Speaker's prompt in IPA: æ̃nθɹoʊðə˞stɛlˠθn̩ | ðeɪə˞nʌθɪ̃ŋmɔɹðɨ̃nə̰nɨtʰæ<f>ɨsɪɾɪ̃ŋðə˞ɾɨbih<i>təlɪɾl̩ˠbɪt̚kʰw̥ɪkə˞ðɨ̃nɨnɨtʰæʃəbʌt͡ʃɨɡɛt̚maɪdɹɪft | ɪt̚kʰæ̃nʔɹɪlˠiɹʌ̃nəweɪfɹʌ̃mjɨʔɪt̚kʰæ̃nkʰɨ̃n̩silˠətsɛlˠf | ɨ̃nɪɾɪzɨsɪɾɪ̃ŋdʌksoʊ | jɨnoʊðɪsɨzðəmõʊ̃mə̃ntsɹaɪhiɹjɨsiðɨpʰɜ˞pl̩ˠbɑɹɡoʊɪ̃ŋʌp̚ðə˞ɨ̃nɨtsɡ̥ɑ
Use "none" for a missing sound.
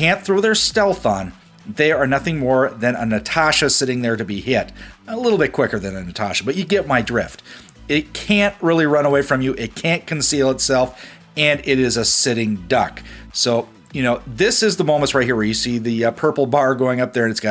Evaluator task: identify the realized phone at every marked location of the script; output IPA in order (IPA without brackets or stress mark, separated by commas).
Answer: ʃ, ɪ